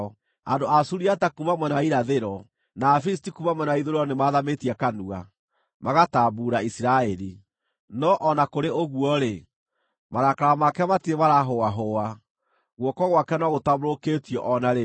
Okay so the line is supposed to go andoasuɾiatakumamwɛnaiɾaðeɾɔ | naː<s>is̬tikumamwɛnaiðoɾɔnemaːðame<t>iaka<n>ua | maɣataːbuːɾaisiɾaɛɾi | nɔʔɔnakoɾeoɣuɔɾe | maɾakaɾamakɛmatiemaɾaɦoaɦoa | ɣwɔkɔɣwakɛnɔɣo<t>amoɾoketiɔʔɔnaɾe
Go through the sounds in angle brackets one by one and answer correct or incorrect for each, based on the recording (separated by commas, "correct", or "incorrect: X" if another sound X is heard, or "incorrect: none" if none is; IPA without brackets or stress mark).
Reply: incorrect: f, correct, correct, correct